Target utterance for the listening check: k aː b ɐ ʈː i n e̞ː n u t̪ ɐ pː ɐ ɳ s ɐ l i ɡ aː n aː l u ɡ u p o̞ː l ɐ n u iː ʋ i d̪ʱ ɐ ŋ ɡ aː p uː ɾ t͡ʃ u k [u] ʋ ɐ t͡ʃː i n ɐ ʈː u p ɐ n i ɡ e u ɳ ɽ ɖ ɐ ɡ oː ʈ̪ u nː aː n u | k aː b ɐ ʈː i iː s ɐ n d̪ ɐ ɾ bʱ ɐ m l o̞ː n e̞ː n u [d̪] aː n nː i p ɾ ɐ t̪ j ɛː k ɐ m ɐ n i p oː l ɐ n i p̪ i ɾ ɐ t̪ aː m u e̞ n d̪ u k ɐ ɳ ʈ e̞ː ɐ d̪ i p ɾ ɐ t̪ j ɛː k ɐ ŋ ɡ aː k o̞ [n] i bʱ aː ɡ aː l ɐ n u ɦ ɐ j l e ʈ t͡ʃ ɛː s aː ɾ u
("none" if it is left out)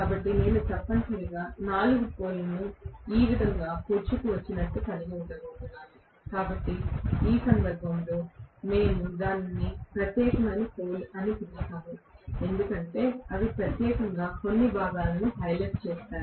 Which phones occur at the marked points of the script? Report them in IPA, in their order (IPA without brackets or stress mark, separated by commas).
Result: u, d̪, nː